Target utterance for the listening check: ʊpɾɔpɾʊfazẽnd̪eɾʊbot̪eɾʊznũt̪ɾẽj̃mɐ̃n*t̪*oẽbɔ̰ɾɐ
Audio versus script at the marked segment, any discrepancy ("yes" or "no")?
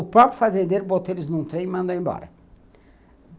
yes